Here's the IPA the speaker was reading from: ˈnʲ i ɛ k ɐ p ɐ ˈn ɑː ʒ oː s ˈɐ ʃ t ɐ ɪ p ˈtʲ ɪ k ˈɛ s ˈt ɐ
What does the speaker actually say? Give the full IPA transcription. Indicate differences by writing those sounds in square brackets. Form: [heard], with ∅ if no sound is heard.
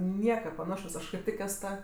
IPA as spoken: ˈnʲ i ɛ k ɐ p ɐ ˈn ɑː [ʃ] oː s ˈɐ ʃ [k] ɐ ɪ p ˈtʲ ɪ k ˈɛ s ˈt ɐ